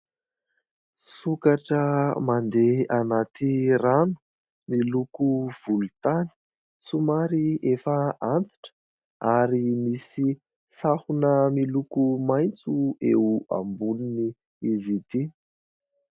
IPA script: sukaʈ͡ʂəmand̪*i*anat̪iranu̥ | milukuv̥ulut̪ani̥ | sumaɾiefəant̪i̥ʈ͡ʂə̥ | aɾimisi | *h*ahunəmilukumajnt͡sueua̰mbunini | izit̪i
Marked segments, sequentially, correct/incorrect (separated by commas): incorrect, incorrect